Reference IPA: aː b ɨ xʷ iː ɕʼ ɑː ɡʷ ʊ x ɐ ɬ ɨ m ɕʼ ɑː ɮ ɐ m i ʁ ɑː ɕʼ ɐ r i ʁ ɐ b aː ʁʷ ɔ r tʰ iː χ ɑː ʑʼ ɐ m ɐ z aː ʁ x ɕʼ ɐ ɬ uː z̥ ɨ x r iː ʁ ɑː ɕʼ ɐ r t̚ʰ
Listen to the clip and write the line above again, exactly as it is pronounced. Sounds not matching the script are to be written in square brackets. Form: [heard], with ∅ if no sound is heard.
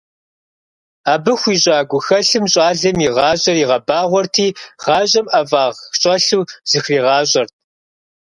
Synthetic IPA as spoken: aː b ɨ xʷ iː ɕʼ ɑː ɡʷ ʊ x ɐ ɬ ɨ m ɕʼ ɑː ɮ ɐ m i ʁ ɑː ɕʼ ɐ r i ʁ ɐ b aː ʁʷ ɔ r tʰ iː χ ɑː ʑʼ ɐ m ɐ [v] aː ʁ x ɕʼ ɐ ɬ uː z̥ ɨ x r iː ʁ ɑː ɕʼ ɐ r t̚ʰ